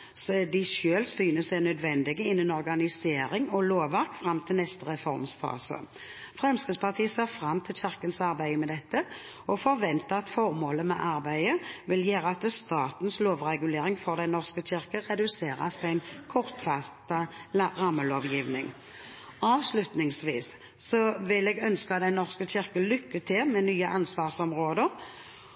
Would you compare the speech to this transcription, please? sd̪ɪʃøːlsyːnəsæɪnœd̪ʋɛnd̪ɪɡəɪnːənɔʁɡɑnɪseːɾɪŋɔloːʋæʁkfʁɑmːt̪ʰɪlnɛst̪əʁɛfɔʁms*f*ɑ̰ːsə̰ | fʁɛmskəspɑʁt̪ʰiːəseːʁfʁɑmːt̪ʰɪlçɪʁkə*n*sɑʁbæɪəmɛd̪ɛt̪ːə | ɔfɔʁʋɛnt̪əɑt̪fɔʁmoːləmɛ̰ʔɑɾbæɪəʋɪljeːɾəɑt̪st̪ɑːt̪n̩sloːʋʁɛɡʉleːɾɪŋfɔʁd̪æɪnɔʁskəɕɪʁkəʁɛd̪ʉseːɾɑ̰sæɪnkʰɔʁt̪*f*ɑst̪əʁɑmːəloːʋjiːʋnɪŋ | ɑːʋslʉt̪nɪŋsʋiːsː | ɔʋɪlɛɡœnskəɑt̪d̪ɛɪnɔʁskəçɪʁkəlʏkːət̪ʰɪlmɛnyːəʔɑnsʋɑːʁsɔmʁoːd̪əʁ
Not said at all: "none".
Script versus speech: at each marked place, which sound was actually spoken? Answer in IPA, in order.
f, n, f

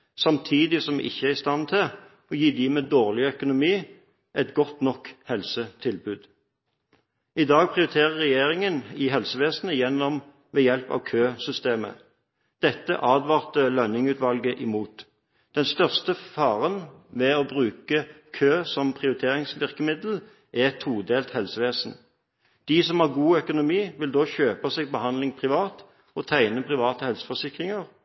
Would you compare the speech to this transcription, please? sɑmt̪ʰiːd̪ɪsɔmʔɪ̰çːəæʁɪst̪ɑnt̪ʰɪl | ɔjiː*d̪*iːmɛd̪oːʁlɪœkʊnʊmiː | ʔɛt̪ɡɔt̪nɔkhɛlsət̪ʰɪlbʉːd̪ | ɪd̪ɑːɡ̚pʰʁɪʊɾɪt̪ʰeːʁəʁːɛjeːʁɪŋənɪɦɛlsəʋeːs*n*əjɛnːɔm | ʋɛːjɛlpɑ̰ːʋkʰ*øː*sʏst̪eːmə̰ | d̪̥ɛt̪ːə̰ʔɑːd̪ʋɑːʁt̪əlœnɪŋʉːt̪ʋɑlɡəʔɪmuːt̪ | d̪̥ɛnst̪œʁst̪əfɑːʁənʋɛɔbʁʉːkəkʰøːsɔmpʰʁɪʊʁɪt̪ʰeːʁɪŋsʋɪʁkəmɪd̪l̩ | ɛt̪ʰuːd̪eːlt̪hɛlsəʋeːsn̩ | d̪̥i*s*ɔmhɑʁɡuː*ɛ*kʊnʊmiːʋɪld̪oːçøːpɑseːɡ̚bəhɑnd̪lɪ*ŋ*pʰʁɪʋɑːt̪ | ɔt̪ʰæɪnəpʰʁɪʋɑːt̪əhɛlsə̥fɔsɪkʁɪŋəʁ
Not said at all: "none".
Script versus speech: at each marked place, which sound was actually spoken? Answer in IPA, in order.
d̪, n, øː, s, œ, ŋ

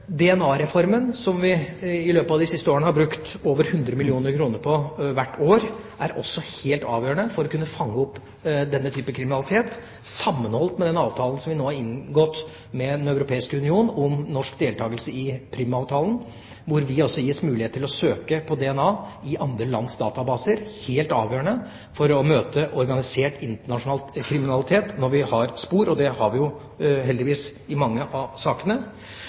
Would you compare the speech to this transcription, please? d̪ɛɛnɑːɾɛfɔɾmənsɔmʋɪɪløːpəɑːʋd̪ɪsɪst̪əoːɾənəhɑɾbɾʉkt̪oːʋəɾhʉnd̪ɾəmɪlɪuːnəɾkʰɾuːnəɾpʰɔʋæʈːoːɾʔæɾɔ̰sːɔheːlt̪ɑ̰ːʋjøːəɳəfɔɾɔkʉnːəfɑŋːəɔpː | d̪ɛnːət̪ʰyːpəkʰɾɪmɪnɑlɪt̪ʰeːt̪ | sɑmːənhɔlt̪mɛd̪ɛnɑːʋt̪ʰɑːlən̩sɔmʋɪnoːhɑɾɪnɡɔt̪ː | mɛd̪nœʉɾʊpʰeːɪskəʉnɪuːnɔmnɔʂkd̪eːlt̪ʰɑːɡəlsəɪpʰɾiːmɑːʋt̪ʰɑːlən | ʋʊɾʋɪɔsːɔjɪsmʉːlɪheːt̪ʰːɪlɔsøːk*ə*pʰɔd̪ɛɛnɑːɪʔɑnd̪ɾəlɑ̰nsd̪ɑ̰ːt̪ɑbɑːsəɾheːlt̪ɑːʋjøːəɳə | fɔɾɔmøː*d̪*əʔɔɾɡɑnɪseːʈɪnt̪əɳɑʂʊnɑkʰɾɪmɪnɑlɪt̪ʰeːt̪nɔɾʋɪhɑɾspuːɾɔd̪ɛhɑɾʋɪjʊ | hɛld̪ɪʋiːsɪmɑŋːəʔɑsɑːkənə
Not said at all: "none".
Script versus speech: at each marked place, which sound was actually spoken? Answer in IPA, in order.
ə, t̪

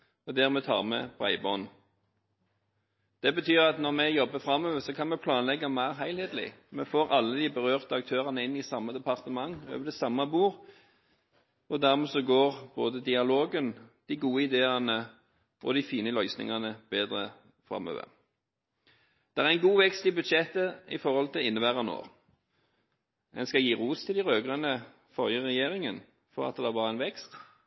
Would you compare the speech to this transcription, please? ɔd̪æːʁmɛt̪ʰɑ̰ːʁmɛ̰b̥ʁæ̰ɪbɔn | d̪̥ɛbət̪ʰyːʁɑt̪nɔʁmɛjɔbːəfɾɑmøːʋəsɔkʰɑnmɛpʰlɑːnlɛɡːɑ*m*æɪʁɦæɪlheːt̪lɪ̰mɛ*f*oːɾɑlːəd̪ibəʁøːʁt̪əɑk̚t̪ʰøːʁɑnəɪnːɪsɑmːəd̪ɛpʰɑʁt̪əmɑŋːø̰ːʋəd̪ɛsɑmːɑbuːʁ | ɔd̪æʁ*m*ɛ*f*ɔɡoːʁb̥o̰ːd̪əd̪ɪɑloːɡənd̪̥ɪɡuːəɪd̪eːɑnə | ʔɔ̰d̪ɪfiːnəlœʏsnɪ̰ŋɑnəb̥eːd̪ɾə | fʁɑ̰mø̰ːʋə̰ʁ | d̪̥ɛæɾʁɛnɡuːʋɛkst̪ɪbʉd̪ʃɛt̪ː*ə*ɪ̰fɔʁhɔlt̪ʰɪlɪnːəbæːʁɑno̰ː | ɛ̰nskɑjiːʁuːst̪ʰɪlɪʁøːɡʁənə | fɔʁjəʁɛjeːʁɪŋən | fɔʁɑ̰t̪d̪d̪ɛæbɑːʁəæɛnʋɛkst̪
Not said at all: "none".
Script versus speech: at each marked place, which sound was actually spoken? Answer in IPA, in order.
m, f, m, s, ə

